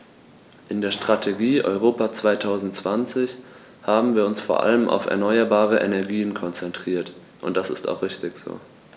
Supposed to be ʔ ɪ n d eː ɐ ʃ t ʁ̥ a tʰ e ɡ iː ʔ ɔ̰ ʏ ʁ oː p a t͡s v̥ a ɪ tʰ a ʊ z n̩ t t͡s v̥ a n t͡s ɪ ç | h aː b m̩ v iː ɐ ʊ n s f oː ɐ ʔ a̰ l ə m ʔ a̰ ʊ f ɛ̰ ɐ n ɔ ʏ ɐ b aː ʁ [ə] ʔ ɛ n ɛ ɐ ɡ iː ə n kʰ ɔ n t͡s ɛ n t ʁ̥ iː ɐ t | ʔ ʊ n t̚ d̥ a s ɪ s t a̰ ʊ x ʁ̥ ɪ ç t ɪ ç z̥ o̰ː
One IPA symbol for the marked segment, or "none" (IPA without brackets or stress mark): ə